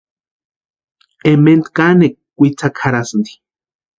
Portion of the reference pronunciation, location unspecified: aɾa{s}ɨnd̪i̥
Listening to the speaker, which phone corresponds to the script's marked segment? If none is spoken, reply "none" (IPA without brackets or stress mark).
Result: s